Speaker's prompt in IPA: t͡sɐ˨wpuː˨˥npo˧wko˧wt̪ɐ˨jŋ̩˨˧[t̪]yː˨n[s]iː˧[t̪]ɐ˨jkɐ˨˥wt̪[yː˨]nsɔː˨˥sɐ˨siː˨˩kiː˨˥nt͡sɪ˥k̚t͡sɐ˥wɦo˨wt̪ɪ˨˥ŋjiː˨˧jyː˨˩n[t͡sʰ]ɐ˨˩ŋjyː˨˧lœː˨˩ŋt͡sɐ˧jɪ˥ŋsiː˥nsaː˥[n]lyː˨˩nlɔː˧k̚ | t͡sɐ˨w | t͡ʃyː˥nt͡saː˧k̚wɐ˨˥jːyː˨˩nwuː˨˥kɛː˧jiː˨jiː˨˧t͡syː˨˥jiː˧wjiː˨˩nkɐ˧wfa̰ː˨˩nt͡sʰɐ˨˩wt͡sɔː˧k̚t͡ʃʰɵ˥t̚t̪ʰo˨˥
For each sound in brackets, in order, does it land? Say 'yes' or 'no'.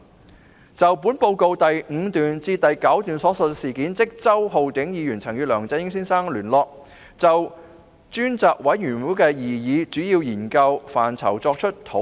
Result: yes, no, yes, yes, yes, no

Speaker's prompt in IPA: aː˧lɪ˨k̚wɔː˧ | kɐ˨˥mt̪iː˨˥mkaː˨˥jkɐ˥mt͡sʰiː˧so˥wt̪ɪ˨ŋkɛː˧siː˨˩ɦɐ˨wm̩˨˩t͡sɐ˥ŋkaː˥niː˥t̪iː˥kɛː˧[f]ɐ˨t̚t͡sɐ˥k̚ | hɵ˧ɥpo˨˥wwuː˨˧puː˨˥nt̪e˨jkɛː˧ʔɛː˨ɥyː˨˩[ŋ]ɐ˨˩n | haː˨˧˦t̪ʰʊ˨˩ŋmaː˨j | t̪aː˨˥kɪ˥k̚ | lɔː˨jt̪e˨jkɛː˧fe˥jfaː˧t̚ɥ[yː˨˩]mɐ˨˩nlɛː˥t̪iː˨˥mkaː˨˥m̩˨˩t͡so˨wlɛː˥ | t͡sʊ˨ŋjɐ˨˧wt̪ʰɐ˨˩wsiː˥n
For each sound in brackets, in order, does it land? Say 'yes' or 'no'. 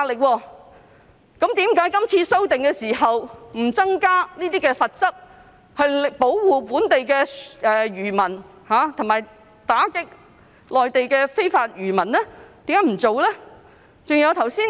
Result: yes, no, yes

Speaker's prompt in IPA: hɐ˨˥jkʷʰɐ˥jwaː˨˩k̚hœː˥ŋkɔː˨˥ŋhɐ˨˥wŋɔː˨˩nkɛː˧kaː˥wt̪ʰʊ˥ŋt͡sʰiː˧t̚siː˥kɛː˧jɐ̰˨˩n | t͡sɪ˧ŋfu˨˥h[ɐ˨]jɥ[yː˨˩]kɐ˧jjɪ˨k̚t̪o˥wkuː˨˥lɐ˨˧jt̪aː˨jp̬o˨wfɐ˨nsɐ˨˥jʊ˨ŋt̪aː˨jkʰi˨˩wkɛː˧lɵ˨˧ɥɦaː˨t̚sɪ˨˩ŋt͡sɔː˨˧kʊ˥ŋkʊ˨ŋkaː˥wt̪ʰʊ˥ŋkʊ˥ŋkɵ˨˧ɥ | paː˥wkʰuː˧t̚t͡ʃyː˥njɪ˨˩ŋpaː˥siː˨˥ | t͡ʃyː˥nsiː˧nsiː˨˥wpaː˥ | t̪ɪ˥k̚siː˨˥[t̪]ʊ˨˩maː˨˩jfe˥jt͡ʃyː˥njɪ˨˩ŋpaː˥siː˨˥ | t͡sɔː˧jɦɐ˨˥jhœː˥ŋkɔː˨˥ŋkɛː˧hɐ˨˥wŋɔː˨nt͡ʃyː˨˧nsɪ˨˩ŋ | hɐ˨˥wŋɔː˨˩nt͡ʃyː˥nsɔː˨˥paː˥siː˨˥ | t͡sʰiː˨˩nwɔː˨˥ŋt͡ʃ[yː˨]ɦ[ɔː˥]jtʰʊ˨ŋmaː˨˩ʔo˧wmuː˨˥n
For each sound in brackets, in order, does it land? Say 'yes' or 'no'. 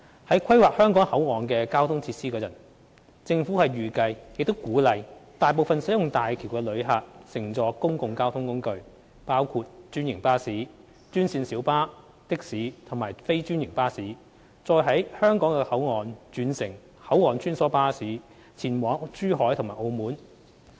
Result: yes, yes, no, no, no

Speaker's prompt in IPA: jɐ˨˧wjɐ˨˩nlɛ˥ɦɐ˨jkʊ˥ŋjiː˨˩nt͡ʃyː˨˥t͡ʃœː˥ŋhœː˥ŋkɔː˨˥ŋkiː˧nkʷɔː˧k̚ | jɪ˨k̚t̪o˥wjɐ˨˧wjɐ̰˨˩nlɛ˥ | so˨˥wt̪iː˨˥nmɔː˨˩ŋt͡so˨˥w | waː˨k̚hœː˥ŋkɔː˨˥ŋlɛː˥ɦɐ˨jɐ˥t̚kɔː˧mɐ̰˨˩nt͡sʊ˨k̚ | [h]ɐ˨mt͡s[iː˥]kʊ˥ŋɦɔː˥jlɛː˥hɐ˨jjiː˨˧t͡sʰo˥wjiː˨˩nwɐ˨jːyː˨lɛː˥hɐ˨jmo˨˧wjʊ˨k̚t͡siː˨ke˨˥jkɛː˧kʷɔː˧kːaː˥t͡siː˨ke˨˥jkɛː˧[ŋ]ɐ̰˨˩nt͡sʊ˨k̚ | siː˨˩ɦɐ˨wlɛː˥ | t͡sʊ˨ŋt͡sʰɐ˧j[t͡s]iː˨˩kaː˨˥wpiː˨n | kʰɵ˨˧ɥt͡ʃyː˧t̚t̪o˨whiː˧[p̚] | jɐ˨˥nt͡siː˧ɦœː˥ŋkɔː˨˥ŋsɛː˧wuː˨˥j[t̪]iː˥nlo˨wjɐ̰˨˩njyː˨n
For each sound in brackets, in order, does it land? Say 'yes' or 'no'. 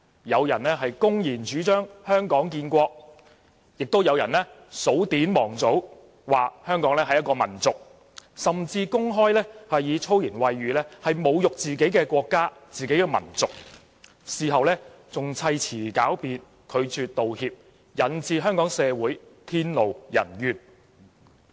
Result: no, no, no, no, yes, no

